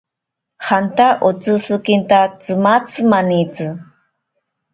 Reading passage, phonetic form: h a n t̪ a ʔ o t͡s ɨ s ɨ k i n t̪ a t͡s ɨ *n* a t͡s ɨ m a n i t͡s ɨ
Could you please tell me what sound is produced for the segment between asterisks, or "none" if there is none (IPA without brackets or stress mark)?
m